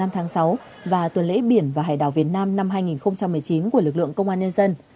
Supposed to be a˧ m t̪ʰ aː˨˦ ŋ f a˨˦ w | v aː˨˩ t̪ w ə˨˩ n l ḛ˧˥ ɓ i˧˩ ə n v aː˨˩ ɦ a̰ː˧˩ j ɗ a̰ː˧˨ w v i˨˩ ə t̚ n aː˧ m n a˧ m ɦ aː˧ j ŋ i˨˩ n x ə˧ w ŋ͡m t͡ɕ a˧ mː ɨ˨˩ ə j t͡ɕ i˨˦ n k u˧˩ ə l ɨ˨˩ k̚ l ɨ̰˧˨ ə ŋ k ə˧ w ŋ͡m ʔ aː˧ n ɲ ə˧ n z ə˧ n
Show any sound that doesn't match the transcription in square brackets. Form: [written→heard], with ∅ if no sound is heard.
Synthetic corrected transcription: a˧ m t̪ʰ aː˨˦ ŋ [f→s] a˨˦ w | v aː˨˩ t̪ w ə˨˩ n l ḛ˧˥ ɓ i˧˩ ə n v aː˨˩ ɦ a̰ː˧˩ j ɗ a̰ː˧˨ w v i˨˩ ə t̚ n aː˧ m n a˧ m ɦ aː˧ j ŋ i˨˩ n x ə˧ w ŋ͡m t͡ɕ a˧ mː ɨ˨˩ ə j t͡ɕ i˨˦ n k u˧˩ ə l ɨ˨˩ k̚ l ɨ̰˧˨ ə ŋ k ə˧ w ŋ͡m ʔ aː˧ n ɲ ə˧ n z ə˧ n